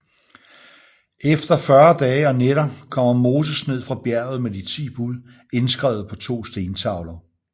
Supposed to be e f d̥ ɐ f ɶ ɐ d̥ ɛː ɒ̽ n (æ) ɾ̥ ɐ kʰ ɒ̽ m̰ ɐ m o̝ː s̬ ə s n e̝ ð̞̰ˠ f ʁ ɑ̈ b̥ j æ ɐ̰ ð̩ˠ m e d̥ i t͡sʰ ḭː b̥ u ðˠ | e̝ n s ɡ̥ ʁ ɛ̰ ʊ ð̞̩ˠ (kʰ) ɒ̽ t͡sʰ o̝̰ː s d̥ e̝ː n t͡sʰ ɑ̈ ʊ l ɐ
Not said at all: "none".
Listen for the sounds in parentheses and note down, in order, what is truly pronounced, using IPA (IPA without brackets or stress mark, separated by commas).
e, pʰ